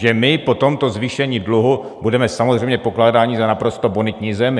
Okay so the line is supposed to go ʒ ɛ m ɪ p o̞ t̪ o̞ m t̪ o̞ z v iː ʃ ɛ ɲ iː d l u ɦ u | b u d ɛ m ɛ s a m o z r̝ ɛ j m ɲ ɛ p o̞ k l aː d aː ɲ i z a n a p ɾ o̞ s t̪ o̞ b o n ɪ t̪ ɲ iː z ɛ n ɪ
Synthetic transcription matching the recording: ʒ ɛ m ɪ p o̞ t̪ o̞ m t̪ o̞ z v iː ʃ ɛ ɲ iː d l u ɦ u | b u d ɛ m ɛ s a m o z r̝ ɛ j m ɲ ɛ p o̞ k l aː d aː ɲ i z a n a p ɾ o̞ s t̪ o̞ b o n ɪ t̪ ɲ iː z ɛ m ɪ